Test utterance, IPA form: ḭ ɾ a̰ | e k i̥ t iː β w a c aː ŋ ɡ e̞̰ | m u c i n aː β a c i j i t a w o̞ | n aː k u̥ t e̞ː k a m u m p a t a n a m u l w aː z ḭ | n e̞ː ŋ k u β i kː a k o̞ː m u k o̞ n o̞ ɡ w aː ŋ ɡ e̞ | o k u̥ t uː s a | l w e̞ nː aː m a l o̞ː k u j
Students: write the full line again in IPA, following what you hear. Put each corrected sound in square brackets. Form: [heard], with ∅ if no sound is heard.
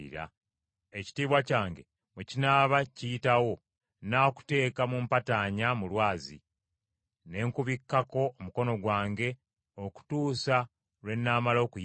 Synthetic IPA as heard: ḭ ɾ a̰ | e [c] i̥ t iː β w a c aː ŋ ɡ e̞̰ | m u c i n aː β a c i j i t a w o̞ | n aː k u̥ t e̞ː k a m u m p a t a [ɲ] a m u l w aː z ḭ | n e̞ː ŋ k u β i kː a k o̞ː m u k o̞ n o̞ ɡ w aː ŋ ɡ e̞ | o k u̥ t uː s a | l w e̞ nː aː m a l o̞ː k u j